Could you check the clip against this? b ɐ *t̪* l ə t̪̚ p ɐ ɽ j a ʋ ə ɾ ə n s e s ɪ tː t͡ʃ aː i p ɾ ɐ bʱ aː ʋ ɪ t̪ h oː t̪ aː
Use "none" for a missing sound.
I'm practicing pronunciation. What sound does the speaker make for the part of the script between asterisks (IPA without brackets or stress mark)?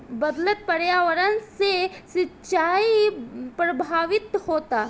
d̪